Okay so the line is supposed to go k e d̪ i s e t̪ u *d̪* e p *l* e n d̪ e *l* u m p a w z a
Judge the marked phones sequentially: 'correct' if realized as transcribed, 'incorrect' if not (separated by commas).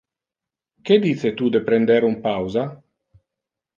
correct, incorrect, incorrect